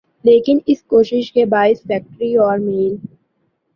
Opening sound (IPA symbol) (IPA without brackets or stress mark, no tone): l